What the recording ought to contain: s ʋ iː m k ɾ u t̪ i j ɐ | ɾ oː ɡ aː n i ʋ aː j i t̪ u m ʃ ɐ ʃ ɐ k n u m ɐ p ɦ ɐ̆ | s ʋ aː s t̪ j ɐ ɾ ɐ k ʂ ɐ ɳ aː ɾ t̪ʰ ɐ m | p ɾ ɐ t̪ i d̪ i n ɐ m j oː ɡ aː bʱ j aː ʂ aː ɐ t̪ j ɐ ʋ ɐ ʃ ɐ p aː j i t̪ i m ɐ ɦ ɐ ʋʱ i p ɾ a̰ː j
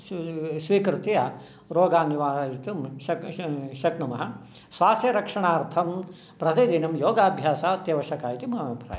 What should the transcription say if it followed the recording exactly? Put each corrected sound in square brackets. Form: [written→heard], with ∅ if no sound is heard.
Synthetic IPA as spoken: s ʋ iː [m→∅] k ɾ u t̪ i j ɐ | ɾ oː ɡ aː n i ʋ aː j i t̪ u m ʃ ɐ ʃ ɐ k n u m ɐ [p→∅] ɦ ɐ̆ | s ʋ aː s t̪ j ɐ ɾ ɐ k ʂ ɐ ɳ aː ɾ t̪ʰ ɐ m | p ɾ ɐ t̪ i d̪ i n ɐ m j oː ɡ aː bʱ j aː [ʂ→s] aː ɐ t̪ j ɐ ʋ ɐ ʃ ɐ [p→k] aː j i t̪ i m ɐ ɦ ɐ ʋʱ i p ɾ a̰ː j